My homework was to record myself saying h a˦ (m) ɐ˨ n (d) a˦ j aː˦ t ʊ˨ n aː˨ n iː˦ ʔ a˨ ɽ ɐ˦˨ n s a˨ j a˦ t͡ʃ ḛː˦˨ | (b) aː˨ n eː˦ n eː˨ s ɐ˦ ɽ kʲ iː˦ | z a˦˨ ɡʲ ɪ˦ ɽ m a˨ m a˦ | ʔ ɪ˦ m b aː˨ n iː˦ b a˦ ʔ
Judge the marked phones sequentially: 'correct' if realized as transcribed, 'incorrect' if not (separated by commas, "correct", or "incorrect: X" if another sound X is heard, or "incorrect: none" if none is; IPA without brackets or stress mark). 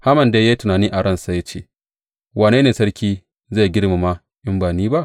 correct, correct, incorrect: w